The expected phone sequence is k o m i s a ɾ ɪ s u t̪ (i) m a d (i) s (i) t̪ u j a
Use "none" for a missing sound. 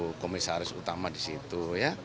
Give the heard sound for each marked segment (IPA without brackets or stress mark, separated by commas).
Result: a, i, i